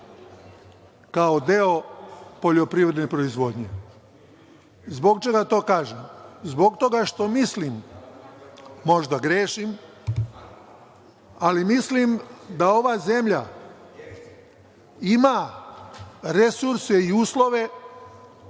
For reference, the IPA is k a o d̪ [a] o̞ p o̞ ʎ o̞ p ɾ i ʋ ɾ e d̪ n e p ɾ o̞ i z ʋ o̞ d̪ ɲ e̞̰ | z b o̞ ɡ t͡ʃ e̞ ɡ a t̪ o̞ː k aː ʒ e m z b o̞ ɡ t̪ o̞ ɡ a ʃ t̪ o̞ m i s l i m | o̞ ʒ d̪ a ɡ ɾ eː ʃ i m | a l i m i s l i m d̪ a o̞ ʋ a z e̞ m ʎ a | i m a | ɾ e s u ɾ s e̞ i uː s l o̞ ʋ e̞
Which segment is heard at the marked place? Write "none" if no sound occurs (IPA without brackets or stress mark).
e